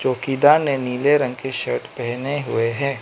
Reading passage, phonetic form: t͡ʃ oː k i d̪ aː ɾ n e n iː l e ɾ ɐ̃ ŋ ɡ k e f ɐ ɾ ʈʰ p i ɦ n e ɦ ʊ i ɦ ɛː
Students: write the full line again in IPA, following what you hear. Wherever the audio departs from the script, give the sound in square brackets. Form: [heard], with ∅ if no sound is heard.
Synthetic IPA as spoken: t͡ʃ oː k i d̪ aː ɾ n e n iː l e ɾ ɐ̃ ŋ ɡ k e [ʃ] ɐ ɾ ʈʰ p [ɛ] ɦ n e ɦ ʊ [e] ɦ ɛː